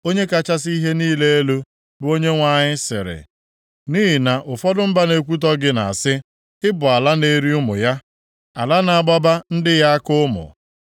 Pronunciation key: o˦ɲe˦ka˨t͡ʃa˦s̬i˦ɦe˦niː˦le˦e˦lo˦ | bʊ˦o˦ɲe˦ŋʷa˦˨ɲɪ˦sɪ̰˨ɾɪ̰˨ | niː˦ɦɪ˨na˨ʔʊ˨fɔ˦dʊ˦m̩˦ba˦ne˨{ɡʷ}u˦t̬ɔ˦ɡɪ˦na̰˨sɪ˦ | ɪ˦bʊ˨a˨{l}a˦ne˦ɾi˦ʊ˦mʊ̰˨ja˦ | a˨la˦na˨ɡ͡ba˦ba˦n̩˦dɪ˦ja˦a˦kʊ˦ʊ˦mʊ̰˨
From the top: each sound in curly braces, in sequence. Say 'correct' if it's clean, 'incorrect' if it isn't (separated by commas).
incorrect, correct